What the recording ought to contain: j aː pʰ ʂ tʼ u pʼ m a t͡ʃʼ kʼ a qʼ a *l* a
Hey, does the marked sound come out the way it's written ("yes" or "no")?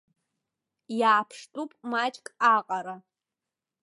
no